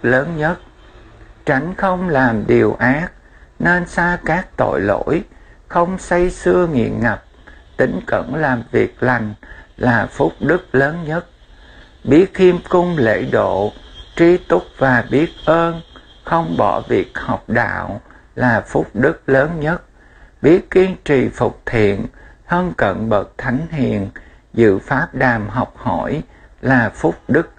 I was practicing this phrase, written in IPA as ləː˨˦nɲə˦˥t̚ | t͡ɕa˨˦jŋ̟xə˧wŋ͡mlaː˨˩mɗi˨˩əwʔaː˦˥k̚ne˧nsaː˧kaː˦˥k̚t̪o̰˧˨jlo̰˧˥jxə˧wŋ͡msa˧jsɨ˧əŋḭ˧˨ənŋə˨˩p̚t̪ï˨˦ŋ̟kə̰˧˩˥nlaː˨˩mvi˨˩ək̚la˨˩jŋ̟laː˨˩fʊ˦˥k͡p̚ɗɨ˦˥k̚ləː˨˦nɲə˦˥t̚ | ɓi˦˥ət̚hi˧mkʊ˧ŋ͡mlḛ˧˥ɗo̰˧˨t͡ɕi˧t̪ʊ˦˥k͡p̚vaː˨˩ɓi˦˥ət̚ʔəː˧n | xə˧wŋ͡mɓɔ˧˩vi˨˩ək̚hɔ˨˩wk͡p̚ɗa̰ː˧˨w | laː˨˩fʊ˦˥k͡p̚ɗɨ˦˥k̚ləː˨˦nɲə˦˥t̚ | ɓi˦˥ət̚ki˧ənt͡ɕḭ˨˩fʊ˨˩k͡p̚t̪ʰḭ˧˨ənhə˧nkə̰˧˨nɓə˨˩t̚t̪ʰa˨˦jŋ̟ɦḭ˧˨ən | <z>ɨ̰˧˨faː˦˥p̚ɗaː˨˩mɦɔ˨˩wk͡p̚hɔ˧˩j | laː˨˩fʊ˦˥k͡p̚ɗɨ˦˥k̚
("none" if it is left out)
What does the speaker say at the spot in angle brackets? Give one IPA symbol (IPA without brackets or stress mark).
z